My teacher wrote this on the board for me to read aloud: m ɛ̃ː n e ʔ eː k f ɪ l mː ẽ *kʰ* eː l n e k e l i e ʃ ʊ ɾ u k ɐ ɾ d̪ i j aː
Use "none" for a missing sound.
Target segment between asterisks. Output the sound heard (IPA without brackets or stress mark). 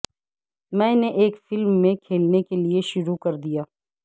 kʰ